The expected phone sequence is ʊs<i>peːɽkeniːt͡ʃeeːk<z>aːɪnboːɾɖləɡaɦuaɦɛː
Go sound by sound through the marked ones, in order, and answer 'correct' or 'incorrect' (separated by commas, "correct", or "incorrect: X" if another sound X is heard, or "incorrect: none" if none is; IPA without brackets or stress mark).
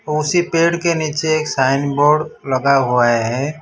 correct, incorrect: s